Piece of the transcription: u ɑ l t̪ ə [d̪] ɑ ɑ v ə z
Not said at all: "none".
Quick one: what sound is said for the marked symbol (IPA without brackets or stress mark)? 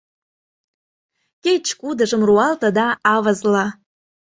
d̪